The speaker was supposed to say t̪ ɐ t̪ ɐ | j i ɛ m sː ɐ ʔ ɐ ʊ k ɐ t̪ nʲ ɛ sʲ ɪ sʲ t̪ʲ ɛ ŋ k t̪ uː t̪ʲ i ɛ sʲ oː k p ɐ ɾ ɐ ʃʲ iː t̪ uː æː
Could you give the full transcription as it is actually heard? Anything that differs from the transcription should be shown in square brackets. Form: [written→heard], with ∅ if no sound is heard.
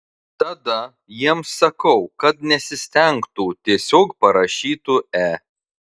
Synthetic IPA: t̪ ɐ [t̪→d̪] ɐ | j i ɛ m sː ɐ [ʔ→k] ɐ ʊ k ɐ t̪ nʲ ɛ sʲ ɪ sʲ t̪ʲ ɛ ŋ k t̪ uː t̪ʲ i ɛ sʲ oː k p ɐ ɾ ɐ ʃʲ iː t̪ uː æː